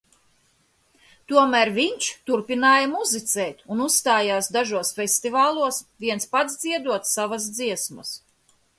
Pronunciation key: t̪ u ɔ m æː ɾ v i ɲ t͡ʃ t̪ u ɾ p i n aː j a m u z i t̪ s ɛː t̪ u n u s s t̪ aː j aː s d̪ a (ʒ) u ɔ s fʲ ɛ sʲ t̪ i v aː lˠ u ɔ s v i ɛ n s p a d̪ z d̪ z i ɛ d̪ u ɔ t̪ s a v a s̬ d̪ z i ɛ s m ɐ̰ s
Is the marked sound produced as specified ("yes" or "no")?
yes